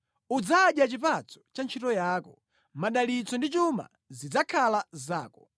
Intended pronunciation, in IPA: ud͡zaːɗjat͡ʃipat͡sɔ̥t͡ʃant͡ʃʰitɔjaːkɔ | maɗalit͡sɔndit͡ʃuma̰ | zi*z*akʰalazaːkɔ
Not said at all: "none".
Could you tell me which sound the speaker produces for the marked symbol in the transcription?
d͡z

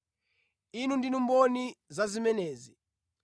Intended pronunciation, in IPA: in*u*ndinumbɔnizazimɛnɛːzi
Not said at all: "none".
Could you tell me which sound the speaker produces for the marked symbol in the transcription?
u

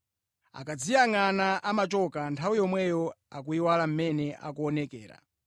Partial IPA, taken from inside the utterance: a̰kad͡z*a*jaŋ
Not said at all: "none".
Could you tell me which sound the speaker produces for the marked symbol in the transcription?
i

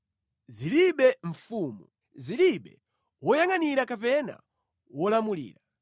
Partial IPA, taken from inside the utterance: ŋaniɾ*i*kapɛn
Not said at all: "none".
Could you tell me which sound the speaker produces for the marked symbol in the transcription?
a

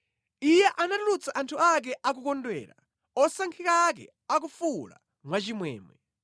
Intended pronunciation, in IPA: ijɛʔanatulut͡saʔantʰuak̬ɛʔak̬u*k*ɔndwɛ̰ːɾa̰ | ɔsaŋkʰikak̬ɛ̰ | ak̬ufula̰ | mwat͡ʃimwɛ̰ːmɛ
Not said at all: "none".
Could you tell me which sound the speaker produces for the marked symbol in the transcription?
k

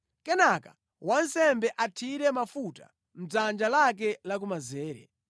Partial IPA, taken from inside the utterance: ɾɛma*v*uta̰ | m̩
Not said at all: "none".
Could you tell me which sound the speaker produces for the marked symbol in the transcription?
f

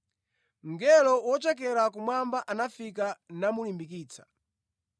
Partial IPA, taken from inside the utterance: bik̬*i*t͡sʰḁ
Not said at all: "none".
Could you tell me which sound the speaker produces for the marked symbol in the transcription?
iː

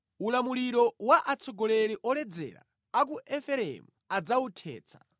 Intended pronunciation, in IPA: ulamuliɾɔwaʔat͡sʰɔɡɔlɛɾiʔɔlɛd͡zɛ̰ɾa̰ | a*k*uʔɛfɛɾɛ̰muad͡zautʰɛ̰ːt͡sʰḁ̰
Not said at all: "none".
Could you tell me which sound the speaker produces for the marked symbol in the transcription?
k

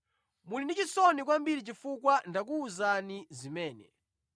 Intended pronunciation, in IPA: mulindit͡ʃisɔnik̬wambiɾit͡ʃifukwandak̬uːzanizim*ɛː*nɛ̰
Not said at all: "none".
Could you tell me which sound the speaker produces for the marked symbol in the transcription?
ɛː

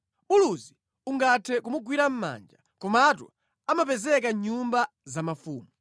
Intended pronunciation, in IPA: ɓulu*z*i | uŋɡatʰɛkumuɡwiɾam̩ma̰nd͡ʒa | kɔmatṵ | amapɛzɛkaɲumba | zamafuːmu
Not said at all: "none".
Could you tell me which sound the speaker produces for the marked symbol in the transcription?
z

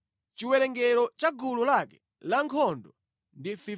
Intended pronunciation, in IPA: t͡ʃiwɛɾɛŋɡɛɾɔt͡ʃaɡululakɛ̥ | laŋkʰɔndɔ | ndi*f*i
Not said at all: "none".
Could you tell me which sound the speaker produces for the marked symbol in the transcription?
f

